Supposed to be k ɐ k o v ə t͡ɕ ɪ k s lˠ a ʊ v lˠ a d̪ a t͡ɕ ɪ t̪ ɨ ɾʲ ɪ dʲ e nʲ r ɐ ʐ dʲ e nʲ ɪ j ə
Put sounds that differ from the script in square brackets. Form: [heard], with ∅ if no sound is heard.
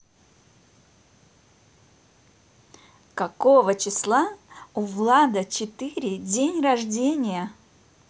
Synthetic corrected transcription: k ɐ k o v ə t͡ɕ ɪ [∅] s lˠ a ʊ v lˠ a d̪ [ə] t͡ɕ ɪ t̪ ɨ ɾʲ ɪ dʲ e nʲ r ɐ ʐ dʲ e nʲ ɪ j ə